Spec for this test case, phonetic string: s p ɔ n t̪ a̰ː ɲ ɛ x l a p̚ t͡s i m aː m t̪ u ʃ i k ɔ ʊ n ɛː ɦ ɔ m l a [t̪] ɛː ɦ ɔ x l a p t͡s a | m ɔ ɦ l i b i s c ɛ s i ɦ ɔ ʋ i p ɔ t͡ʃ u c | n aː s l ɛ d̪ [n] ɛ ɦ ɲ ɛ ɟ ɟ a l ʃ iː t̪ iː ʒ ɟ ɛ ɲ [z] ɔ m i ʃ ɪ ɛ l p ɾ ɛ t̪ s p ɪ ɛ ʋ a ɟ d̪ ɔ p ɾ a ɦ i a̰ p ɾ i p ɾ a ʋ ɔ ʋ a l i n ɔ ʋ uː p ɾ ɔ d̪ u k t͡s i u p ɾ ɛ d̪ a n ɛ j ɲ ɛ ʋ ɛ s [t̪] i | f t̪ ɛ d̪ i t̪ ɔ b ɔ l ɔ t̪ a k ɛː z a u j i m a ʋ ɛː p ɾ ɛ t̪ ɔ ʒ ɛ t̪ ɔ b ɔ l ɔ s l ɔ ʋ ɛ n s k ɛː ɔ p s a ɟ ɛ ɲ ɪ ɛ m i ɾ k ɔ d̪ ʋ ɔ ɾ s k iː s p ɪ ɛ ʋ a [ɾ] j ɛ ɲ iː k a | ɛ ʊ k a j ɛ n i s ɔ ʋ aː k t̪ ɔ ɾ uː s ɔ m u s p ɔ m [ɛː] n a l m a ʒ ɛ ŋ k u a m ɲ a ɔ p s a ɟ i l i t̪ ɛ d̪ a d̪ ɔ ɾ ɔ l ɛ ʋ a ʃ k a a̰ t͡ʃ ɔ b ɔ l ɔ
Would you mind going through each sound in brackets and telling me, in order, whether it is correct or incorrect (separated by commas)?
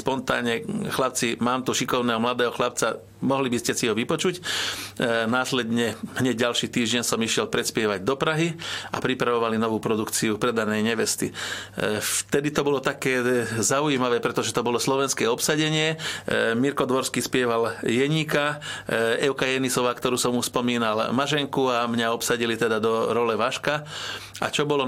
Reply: incorrect, incorrect, incorrect, correct, incorrect, incorrect